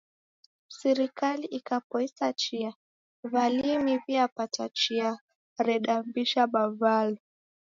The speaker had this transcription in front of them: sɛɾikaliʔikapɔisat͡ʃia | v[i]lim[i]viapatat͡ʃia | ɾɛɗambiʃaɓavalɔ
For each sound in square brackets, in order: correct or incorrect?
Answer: incorrect, correct

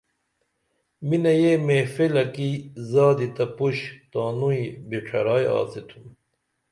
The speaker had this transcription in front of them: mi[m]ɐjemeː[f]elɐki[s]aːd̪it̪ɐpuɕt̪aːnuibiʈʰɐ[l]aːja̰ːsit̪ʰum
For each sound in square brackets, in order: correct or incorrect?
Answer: incorrect, correct, incorrect, incorrect

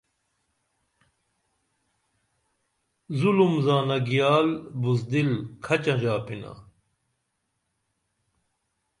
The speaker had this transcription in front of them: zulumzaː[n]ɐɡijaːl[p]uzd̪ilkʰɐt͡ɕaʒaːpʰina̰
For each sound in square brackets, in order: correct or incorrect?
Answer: correct, incorrect

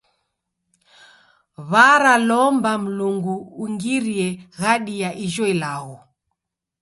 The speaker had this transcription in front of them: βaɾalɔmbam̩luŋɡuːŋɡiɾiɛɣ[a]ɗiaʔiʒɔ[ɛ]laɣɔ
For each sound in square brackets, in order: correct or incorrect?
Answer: correct, incorrect

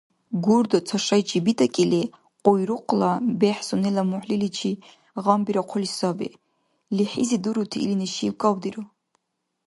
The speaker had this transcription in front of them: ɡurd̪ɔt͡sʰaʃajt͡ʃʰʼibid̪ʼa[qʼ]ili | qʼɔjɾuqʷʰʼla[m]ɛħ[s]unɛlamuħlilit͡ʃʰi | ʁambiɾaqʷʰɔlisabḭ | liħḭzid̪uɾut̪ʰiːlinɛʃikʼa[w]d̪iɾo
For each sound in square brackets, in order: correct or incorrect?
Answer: incorrect, incorrect, correct, correct

